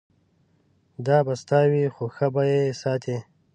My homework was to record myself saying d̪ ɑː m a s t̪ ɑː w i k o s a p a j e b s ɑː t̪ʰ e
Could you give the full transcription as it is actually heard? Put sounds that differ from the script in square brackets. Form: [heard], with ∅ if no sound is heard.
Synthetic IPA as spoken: d̪ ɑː [b] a s t̪ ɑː w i [x] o [x] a [b] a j e [∅] s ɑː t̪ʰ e